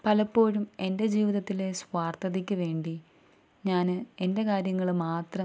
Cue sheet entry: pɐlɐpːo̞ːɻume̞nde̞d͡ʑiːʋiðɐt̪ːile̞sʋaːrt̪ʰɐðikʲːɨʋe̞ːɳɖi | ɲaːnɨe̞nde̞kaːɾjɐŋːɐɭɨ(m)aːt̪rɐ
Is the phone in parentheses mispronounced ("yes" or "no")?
no